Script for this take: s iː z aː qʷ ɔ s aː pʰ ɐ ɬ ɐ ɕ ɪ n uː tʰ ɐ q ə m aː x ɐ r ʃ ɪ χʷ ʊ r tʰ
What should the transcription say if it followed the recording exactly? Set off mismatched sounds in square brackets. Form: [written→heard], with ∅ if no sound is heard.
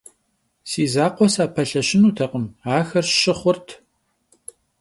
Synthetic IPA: s iː z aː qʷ ɔ s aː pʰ ɐ ɬ ɐ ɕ ɪ n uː tʰ ɐ q ə m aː x ɐ r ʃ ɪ χʷ ʊ r tʰ